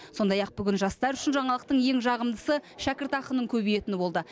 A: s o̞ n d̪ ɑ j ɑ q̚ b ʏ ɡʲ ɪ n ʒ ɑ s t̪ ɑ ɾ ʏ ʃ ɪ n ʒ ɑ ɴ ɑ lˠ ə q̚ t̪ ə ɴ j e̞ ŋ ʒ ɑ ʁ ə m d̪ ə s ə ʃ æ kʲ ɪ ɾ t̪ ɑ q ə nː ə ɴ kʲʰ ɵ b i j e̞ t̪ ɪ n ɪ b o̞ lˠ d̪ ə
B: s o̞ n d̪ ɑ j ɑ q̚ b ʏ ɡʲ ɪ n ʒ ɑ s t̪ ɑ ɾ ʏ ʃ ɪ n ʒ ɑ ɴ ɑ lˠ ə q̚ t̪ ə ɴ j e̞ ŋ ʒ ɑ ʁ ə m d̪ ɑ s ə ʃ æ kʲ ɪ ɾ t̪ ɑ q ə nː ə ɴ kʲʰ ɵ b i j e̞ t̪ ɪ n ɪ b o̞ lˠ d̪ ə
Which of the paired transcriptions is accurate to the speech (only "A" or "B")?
A